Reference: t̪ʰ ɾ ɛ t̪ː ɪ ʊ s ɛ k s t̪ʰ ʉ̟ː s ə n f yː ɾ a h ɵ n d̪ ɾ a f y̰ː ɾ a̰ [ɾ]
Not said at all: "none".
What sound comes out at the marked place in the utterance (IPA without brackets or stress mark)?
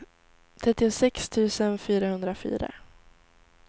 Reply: none